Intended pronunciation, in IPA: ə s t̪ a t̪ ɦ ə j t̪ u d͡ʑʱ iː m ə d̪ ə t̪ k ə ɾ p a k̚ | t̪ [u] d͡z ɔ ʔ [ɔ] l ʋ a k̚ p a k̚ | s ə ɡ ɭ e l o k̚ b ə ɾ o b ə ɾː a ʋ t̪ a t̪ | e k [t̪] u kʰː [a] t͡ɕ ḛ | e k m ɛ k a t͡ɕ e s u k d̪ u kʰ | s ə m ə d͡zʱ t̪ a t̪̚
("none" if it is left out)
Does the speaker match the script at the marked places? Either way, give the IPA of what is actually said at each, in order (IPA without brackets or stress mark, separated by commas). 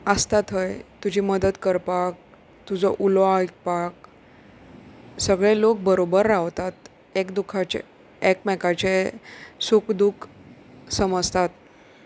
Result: u, u, d̪, a